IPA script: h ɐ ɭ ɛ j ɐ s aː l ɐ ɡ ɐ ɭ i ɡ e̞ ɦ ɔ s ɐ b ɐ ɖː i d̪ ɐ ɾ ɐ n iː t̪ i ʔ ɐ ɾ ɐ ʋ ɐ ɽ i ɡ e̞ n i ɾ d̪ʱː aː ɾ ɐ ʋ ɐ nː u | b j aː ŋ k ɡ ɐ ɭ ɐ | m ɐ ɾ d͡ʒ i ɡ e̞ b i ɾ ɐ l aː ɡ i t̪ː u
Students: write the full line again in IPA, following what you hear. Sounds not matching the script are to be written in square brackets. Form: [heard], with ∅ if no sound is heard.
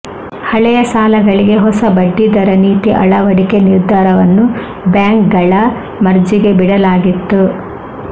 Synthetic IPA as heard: h ɐ ɭ ɛ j ɐ s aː l ɐ ɡ ɐ ɭ i ɡ e̞ ɦ ɔ s ɐ b ɐ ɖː i d̪ ɐ ɾ ɐ n iː t̪ i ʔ ɐ [ɭ] ɐ ʋ ɐ ɽ i [k] e̞ n i ɾ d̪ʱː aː ɾ ɐ ʋ ɐ nː u | b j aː ŋ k ɡ ɐ ɭ ɐ | m ɐ ɾ d͡ʒ i ɡ e̞ b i [ɽ] ɐ l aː ɡ i t̪ː u